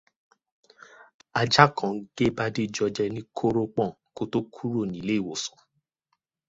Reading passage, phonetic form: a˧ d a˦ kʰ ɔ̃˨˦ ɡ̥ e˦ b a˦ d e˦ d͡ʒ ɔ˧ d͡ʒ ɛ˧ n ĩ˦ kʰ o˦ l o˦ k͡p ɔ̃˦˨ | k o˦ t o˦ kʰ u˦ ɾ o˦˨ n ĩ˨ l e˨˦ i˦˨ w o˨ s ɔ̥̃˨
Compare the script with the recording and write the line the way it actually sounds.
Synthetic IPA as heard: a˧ d͡ʒ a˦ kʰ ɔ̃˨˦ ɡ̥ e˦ b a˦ d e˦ d͡ʒ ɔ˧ d͡ʒ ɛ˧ n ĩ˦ kʰ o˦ ɾ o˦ k͡p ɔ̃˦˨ | k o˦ t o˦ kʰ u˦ ɾ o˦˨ n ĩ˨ l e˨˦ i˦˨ w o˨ s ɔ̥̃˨